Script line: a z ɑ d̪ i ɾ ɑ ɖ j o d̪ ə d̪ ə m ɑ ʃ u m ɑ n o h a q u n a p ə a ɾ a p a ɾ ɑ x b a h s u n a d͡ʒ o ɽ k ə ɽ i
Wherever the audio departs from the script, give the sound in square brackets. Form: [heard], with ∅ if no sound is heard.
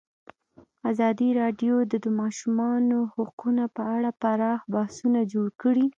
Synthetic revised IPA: a z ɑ d̪ i ɾ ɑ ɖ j o d̪ ə d̪ ə m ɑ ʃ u m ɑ n o h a q u n a p ə a [ɽ] a p a ɾ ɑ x b a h s u n a d͡ʒ o ɽ k ə ɽ i